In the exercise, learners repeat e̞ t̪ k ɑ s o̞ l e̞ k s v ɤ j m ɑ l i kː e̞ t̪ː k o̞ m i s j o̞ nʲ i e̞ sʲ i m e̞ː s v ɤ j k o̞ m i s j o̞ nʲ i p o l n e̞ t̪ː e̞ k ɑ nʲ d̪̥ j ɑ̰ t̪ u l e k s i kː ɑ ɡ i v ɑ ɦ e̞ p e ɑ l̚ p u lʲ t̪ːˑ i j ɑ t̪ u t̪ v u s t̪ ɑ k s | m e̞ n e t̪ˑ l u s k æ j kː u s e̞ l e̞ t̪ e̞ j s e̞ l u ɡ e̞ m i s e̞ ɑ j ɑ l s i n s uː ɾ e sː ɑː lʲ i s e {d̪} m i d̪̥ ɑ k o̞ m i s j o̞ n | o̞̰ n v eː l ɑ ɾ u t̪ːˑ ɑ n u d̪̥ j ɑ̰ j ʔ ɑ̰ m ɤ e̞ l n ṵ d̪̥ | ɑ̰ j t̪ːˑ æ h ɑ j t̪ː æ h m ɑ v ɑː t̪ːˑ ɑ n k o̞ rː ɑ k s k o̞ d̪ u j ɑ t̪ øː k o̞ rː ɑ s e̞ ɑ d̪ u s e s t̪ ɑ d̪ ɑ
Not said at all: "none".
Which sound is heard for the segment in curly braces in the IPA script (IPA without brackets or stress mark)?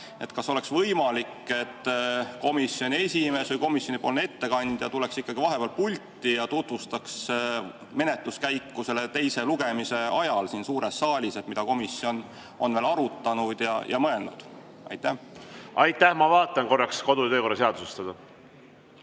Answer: t̪